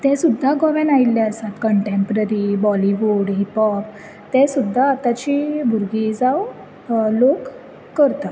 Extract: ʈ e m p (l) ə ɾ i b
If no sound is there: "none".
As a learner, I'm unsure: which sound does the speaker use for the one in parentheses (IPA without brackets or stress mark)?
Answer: ɾ